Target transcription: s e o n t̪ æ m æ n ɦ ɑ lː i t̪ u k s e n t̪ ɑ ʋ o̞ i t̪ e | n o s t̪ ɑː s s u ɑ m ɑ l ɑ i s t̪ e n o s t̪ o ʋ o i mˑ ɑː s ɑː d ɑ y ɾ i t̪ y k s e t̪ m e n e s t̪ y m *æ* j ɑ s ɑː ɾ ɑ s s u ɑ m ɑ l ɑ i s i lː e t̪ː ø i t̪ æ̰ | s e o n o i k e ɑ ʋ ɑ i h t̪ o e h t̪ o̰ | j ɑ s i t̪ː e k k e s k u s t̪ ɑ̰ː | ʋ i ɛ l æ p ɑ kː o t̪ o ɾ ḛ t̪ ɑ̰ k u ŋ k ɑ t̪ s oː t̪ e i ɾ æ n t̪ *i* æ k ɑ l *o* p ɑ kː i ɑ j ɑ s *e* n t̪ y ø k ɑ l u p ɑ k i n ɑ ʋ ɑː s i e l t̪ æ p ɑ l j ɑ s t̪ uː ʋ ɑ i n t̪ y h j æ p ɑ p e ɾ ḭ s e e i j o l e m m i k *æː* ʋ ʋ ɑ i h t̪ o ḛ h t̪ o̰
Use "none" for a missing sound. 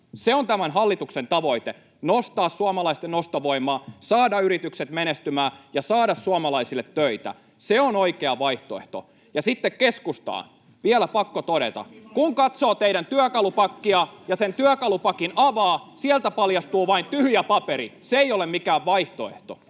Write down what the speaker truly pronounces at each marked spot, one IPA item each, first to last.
æː, y, u, e, æː

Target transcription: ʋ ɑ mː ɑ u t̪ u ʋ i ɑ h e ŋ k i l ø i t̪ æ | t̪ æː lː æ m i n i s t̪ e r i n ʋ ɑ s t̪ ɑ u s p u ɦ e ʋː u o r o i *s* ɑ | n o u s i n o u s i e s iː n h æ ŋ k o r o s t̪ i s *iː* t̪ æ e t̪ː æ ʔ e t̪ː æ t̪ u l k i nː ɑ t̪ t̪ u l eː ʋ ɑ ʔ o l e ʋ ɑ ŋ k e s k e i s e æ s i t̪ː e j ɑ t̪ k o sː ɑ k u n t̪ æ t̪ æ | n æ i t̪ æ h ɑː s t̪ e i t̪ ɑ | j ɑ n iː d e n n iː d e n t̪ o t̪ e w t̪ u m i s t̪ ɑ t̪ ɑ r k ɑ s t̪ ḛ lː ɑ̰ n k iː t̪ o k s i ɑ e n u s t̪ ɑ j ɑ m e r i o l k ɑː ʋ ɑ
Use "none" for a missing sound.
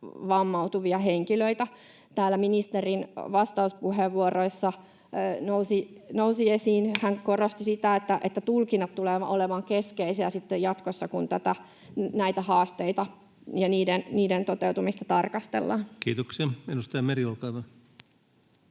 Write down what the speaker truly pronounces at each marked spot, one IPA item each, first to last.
sː, i

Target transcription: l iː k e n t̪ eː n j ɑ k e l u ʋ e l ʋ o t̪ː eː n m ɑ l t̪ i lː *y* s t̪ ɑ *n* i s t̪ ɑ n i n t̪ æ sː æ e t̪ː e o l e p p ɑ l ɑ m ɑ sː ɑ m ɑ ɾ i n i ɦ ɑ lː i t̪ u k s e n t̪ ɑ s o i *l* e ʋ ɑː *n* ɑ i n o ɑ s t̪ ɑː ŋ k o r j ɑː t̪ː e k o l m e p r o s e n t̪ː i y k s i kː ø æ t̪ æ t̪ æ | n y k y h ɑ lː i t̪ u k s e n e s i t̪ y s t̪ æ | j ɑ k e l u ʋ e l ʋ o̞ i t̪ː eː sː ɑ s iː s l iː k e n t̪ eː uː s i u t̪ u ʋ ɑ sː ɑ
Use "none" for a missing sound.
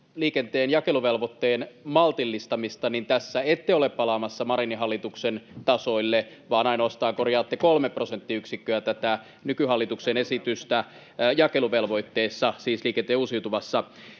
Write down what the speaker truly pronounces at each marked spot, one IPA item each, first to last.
i, m, lː, n

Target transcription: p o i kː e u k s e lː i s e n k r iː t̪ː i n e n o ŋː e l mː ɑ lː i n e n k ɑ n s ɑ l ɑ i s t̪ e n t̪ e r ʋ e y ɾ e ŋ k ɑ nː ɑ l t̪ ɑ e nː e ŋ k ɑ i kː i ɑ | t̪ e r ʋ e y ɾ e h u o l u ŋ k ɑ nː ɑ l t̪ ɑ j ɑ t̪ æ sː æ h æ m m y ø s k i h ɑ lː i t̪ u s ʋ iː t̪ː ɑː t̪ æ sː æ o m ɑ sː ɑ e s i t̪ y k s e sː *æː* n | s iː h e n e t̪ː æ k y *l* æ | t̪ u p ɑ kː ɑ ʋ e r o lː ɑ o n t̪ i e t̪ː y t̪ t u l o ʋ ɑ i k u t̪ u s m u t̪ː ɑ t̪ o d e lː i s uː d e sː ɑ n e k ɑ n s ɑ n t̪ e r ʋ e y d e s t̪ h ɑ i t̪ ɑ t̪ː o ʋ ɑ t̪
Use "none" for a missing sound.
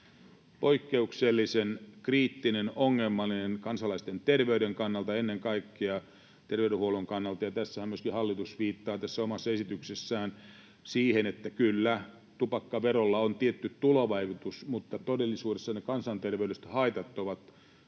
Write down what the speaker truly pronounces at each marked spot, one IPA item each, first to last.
æː, lː

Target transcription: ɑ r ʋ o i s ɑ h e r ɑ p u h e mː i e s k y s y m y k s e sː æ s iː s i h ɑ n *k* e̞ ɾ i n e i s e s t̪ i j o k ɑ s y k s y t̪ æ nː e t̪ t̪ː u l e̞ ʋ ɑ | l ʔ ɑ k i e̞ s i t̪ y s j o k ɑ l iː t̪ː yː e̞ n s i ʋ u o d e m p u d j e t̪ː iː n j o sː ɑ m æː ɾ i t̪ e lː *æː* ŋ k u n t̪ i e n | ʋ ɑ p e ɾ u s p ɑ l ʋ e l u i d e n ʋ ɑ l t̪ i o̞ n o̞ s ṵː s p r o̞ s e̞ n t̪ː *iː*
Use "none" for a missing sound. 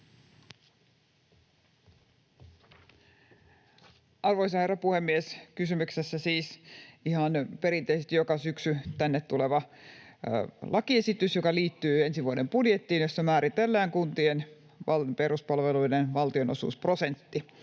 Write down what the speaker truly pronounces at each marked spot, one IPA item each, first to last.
p, æː, i

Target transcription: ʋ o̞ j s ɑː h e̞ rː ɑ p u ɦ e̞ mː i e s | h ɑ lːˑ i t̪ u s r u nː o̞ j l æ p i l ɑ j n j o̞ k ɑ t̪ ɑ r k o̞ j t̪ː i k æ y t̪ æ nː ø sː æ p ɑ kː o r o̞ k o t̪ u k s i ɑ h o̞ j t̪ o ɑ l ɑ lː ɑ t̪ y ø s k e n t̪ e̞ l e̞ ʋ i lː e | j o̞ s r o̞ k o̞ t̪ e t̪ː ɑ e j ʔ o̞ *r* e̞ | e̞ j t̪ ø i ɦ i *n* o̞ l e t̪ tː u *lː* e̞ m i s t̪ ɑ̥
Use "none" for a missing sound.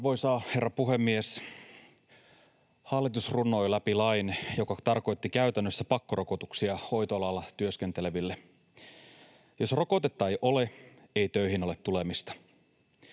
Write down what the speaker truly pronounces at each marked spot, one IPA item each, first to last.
l, n, l

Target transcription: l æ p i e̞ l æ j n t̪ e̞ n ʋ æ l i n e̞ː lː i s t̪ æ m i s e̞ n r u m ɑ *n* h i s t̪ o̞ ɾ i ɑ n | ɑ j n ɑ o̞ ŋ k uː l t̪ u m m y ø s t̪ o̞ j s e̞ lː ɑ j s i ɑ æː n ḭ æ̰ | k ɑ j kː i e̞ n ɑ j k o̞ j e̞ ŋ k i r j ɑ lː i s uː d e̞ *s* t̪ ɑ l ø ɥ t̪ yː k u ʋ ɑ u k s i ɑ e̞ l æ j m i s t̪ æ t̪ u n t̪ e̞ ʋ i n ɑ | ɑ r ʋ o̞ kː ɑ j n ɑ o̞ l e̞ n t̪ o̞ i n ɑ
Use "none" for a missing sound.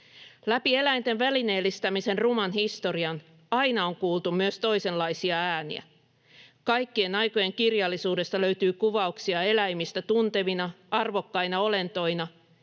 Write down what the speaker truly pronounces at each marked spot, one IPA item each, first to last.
n, s

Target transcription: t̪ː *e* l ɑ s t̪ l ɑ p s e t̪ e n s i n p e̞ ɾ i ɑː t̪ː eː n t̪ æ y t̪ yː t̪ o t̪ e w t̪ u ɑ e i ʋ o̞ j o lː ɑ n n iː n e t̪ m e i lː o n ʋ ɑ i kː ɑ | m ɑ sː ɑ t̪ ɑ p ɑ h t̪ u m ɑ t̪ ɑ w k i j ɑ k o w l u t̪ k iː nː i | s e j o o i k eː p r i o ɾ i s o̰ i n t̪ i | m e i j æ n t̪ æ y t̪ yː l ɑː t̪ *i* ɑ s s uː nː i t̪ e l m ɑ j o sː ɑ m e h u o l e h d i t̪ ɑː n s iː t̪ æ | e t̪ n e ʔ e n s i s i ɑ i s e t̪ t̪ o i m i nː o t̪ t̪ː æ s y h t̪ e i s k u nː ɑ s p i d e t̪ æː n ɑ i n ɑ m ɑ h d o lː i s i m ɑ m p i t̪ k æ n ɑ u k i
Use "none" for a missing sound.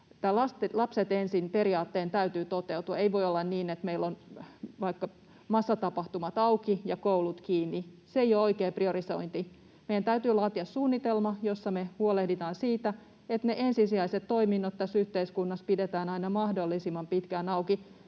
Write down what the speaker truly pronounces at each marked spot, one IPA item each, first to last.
æ, i

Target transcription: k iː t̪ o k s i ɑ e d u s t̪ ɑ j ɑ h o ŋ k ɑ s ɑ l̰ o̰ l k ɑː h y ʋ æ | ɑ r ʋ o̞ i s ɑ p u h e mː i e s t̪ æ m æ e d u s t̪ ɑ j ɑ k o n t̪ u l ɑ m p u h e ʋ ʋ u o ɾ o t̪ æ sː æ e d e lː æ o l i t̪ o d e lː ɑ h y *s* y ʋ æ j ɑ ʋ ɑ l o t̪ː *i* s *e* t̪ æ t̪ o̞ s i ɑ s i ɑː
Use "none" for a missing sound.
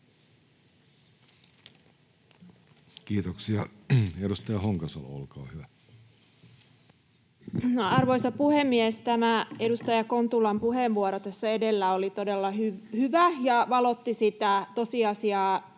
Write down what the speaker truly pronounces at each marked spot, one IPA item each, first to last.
h, i, i

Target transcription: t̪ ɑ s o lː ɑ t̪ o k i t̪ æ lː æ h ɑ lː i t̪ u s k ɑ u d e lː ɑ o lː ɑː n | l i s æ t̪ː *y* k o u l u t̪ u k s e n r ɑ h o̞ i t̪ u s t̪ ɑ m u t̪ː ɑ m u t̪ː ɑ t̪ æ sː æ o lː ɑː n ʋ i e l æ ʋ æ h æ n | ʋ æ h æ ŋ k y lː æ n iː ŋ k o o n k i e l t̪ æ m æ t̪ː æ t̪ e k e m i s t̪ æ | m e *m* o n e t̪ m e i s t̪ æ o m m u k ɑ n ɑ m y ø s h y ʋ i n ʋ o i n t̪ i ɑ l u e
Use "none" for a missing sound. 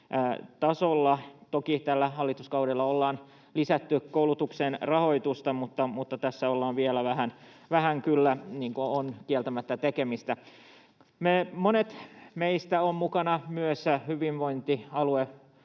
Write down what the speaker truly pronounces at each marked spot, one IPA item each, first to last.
y, m

